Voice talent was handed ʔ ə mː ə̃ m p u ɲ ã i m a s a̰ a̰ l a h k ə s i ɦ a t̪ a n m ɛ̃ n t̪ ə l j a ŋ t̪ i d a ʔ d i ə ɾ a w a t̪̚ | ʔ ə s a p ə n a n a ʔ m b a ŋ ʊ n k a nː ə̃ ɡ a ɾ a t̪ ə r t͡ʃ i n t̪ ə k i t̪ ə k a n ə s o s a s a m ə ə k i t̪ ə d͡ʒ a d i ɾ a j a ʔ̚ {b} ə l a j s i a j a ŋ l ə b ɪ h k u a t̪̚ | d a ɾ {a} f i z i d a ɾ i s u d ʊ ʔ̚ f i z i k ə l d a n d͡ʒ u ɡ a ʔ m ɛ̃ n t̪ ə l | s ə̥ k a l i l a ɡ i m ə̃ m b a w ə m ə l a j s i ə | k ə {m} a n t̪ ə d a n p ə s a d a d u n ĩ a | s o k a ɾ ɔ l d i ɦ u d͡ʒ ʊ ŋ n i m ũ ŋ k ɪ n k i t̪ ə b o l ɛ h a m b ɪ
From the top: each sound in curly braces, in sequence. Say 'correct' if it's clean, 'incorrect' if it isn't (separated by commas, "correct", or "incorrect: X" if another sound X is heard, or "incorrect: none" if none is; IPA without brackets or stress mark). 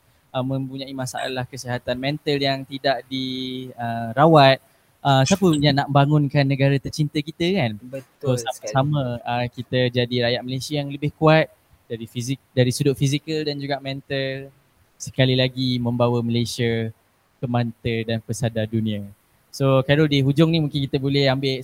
incorrect: m, incorrect: i, correct